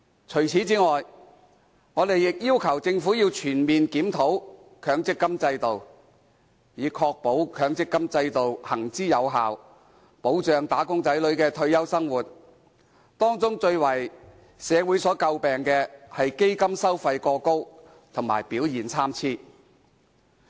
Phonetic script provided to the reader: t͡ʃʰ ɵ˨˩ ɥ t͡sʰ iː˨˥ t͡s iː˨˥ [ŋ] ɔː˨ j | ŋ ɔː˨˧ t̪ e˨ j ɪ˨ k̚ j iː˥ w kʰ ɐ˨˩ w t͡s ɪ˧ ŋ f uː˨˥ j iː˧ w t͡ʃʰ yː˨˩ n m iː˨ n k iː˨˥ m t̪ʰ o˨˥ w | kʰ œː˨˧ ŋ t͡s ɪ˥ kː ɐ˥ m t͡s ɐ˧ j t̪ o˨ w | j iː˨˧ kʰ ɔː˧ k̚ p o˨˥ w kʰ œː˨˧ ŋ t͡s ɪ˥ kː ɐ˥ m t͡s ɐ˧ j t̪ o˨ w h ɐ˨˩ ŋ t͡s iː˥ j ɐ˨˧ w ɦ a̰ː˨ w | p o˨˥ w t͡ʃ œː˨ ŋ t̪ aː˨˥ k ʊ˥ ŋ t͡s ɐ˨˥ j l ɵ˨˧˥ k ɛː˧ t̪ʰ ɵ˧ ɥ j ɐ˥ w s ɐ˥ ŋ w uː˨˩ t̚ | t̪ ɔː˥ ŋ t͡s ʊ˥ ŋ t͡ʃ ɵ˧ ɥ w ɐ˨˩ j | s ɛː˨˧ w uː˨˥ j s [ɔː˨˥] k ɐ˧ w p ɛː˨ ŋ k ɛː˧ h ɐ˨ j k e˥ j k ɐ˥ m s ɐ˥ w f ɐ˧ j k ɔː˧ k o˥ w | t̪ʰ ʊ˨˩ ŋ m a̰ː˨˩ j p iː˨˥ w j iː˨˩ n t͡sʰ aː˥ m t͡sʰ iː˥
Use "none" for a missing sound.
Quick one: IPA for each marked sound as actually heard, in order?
ŋ, ɔː˨˥

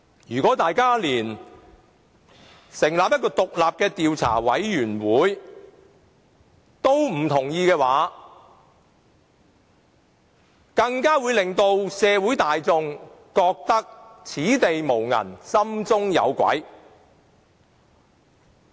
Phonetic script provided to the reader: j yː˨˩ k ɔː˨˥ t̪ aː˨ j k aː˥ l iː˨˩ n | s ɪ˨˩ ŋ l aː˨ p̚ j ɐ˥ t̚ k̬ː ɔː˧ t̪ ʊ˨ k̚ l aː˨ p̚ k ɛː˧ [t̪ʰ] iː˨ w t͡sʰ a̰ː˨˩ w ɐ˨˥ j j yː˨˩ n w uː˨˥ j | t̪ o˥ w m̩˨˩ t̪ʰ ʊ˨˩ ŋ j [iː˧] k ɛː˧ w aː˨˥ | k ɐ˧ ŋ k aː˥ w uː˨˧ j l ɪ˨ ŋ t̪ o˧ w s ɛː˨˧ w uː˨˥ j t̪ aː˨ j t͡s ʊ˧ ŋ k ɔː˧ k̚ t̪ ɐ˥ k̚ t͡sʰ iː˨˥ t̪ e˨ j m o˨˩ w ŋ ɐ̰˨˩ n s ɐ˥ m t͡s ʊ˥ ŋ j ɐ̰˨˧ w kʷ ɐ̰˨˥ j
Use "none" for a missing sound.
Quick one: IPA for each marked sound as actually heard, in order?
t̪, iː˧

